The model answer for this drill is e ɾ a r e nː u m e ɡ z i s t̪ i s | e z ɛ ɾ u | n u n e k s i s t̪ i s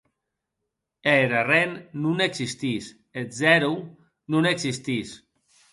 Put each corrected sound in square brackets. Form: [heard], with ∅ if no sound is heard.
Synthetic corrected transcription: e ɾ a r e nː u [n] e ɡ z i s t̪ i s | e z ɛ ɾ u | n u n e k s i s t̪ i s